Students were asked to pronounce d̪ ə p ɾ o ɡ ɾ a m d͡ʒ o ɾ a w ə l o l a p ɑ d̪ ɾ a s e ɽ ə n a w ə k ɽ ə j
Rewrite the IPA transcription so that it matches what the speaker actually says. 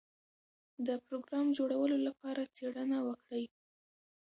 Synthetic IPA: d̪ ə p ɾ o ɡ ɾ ɑ m d͡ʒ o ɽ a w ə l o l a p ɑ ɾ a t͡s e ɽ ə n a w ə k ɽ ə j